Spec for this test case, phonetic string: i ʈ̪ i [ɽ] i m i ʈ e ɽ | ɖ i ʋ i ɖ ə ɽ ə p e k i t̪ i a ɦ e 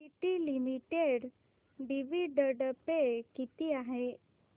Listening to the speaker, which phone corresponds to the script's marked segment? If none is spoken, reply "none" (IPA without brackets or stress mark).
l